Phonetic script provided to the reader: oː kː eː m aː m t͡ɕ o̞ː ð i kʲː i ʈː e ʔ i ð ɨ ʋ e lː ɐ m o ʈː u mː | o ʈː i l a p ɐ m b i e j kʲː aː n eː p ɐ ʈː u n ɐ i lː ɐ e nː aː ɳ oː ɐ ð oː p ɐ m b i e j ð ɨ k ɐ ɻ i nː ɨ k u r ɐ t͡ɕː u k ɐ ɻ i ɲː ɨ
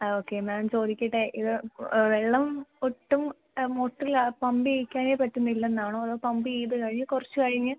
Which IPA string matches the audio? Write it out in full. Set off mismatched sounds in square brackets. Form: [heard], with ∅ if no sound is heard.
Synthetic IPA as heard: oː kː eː m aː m t͡ɕ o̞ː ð i kʲː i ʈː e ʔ i ð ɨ ʋ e [ɭː] ɐ m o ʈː u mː | o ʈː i l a p ɐ m b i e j kʲː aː n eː p ɐ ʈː u [nː] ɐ i lː ɐ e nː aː ɳ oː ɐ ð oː p ɐ m b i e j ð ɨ k ɐ ɻ i [ɲː] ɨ k u r ɐ t͡ɕː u k ɐ ɻ i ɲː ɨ